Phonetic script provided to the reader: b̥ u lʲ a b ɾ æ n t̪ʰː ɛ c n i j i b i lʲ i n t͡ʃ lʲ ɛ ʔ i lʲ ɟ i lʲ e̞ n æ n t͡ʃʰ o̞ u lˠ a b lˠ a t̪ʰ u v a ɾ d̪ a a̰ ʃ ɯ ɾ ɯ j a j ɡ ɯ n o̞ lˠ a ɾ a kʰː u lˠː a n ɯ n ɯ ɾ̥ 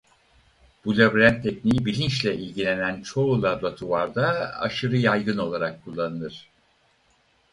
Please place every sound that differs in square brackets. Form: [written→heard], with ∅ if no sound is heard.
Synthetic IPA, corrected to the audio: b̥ u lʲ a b ɾ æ n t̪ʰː ɛ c n i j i b i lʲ i n t͡ʃ lʲ ɛ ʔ i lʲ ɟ i lʲ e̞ n æ n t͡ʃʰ o̞ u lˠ a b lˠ a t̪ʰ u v a ɾ d̪ a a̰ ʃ ɯ ɾ ɯ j a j ɡ ɯ n o̞ lˠ a ɾ a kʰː u lˠː a n ɯ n ɯ ɾ̥